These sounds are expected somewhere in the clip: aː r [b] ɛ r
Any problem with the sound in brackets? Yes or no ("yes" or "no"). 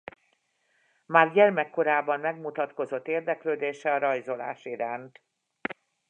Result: yes